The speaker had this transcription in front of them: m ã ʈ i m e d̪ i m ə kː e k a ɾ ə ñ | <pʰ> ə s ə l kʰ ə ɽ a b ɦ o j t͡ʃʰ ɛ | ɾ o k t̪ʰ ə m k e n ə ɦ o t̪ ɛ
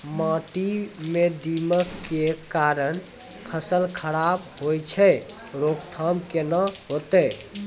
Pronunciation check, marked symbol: correct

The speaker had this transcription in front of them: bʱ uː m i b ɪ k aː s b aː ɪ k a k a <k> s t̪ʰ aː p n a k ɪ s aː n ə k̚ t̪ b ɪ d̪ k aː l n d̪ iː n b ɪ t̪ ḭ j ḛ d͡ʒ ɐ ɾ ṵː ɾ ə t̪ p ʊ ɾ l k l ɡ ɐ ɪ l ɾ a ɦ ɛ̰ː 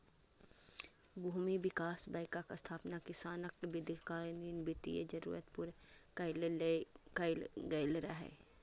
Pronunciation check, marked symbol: incorrect: none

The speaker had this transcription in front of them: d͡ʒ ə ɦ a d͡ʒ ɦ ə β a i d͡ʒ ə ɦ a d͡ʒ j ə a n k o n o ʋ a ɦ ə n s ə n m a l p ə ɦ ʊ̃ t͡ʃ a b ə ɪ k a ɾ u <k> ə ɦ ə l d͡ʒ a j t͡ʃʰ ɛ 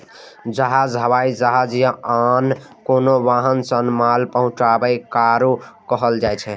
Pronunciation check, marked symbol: correct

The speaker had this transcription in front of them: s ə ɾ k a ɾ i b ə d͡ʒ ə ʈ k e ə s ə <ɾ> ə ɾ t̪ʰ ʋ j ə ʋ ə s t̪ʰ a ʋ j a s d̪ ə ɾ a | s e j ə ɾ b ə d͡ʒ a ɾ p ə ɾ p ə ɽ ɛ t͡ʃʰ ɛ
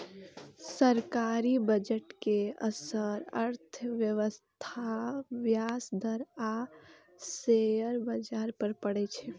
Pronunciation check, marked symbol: correct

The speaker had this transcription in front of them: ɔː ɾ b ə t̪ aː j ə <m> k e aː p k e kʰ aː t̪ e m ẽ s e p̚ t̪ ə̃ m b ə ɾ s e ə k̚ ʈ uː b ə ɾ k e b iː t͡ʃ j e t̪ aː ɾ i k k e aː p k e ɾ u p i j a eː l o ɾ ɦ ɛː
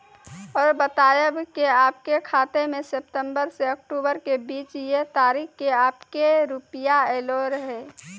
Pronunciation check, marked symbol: incorrect: b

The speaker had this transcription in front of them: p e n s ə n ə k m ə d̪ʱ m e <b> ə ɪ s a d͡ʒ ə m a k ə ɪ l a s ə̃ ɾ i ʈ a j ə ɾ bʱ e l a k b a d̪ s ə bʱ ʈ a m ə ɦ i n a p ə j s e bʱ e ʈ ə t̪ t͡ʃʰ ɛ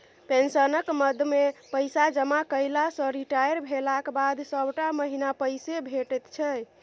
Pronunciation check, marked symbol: incorrect: p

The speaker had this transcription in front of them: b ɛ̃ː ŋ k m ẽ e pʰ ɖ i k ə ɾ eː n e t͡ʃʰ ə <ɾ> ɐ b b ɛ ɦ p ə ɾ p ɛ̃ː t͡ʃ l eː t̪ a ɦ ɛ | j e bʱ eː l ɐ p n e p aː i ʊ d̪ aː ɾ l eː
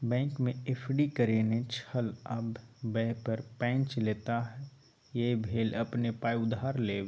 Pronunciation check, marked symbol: incorrect: l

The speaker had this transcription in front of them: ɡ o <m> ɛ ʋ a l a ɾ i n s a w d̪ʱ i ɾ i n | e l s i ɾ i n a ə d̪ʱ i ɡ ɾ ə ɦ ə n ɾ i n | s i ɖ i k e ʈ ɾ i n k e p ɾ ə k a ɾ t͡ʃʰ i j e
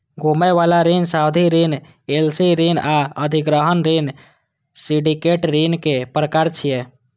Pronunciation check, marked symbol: correct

